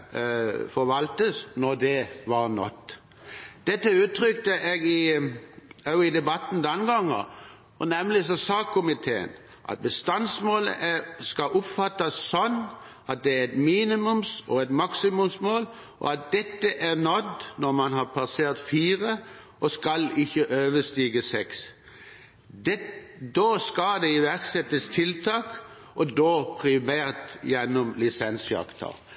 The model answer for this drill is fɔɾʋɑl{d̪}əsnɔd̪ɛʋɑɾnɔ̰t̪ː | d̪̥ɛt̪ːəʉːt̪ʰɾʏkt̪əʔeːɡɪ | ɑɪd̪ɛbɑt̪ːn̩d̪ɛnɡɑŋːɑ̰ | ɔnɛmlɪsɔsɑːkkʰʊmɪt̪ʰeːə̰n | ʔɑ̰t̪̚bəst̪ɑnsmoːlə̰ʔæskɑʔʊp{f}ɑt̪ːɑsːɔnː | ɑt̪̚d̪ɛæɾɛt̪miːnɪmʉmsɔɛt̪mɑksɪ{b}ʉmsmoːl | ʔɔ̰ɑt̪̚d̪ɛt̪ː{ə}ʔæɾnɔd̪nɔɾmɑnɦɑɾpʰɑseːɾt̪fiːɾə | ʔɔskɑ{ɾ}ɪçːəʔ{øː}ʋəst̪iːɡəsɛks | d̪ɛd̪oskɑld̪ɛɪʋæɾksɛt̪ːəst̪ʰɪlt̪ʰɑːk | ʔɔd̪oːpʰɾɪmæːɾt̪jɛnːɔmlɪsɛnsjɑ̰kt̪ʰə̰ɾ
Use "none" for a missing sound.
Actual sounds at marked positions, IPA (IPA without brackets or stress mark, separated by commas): t̪, f, m, ə, l, øː